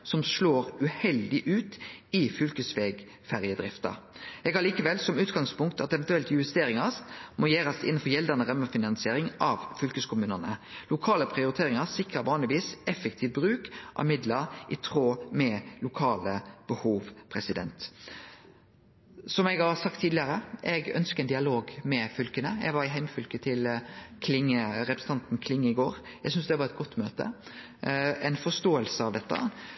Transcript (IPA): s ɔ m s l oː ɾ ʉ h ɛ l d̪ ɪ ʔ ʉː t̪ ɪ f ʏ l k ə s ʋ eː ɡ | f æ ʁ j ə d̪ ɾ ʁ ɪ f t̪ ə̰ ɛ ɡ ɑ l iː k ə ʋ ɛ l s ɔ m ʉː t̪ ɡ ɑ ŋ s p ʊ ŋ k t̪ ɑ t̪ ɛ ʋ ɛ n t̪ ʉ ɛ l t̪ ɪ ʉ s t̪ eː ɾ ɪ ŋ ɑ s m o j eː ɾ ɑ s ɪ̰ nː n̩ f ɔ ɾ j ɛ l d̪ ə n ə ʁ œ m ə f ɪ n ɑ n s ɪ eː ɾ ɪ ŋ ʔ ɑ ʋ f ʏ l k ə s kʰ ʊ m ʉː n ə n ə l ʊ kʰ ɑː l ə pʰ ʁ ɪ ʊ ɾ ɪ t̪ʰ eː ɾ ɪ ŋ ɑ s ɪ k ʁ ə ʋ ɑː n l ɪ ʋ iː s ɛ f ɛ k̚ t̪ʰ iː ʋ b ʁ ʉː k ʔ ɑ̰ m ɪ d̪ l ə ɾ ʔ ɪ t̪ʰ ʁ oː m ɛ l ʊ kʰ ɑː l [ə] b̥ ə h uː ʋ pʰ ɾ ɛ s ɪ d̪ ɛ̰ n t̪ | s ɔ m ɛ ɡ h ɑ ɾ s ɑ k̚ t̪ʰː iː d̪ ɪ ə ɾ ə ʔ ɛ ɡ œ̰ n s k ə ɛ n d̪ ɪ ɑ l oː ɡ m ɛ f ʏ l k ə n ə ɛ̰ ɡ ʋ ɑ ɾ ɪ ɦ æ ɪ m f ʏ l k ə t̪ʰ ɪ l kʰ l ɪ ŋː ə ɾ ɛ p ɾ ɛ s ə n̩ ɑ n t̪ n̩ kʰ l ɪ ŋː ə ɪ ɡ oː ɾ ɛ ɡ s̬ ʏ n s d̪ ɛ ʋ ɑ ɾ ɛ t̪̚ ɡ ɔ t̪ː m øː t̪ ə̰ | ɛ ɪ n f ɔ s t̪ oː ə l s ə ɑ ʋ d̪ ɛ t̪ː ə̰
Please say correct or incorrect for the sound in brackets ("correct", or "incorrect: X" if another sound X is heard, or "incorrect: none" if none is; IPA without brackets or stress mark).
correct